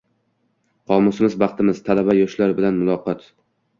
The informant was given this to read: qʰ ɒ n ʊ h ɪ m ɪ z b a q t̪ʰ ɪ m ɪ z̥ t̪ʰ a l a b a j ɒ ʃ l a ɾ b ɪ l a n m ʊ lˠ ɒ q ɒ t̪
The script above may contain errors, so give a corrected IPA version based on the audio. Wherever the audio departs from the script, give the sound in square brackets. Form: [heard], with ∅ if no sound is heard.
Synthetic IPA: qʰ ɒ [m] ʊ [s] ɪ m ɪ z b [ɑ] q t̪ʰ ɪ m ɪ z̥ t̪ʰ a l a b a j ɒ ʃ l a ɾ b ɪ l a n m ʊ lˠ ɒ q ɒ t̪